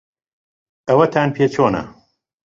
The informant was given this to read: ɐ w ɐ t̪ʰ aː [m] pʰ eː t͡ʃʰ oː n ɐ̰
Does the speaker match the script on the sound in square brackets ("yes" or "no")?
no